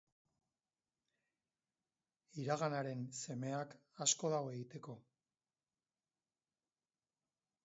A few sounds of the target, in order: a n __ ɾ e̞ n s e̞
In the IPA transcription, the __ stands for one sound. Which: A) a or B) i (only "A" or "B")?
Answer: A